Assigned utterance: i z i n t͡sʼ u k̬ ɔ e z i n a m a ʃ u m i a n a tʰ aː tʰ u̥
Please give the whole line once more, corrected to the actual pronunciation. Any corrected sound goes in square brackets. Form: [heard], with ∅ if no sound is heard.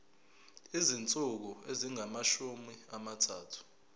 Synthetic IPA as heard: i z i n t͡sʼ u k̬ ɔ e z i [ŋ] a m a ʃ u m i a [m] a tʰ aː tʰ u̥